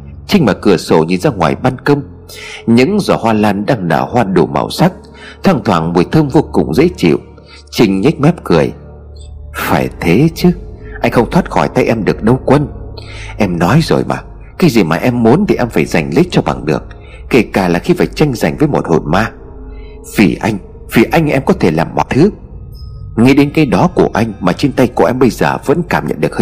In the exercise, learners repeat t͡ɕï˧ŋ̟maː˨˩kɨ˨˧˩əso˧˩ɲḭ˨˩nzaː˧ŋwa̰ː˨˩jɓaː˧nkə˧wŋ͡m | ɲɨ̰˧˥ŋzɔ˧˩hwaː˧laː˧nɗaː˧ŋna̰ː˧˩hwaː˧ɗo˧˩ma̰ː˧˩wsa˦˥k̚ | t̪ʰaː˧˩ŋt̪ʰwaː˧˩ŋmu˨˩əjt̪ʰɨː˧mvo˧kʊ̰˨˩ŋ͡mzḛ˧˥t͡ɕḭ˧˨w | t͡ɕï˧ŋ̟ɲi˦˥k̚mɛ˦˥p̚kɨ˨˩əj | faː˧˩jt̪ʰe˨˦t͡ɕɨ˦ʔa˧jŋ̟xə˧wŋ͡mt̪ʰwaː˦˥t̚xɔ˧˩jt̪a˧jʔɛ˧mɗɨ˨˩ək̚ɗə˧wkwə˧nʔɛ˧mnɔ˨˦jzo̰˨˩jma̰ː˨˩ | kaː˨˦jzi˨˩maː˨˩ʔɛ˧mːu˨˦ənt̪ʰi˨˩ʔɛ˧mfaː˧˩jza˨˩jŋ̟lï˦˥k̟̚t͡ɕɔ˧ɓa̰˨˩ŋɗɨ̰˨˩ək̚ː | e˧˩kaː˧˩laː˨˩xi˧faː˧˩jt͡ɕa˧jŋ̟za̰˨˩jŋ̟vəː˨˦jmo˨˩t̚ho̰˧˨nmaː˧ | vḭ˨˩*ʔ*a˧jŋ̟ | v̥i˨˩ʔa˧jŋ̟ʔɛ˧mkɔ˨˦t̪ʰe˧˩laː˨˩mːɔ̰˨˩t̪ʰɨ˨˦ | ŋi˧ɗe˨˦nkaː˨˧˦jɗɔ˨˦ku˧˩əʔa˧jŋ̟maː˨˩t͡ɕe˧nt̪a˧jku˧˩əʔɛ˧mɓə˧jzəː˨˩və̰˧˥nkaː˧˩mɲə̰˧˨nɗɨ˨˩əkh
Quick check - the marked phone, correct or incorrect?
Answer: correct